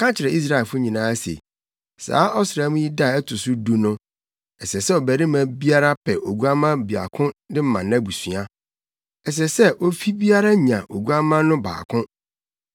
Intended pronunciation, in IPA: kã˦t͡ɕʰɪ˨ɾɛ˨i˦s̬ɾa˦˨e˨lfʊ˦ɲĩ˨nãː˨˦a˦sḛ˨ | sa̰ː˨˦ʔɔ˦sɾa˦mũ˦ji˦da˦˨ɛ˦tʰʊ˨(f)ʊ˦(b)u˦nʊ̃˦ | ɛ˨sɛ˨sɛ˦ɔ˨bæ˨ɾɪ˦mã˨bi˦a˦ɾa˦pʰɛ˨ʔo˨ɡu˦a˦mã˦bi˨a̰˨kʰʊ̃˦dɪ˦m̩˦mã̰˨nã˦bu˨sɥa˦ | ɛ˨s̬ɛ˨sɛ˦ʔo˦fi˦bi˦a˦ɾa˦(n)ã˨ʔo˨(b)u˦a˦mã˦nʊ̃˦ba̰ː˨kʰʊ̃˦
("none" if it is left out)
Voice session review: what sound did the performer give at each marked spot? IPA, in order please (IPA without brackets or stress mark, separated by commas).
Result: s, d, ɲ, ɡ